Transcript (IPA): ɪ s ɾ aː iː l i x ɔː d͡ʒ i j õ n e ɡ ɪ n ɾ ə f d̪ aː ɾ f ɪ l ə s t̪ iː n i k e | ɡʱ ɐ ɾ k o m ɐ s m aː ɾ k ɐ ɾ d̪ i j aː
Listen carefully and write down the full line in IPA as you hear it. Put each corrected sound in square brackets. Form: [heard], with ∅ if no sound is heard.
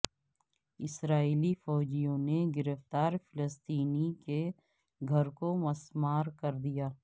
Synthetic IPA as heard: ɪ s ɾ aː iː l i [f] ɔː d͡ʒ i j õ n e ɡ ɪ [∅] ɾ ə f [t̪] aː ɾ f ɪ l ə s t̪ iː n i k e | ɡʱ ɐ ɾ k o m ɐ s m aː ɾ k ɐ ɾ d̪ i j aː